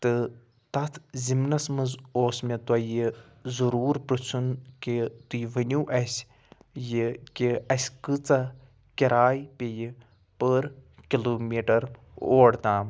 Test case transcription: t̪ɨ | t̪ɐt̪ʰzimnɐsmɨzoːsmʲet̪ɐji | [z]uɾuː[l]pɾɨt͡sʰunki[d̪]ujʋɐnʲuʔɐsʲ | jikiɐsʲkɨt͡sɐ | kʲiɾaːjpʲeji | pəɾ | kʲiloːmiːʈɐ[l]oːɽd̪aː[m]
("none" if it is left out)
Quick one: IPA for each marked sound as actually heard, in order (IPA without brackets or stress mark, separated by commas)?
z, ɾ, t̪, ɾ, m